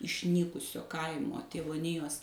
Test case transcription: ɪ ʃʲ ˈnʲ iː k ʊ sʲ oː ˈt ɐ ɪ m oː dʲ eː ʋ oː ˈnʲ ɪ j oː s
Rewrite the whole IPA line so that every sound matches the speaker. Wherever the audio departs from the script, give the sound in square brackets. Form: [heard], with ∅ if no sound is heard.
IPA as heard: ɪ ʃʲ ˈnʲ iː k ʊ sʲ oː [ˈk] ɐ ɪ m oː [tʲ] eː ʋ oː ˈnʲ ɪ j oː s